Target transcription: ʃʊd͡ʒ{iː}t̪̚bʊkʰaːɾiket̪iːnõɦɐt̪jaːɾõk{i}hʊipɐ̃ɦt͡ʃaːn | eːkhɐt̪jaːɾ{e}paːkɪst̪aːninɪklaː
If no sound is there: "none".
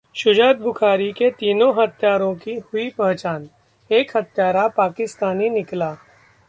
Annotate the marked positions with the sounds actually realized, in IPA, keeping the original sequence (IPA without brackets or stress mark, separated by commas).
aː, i, a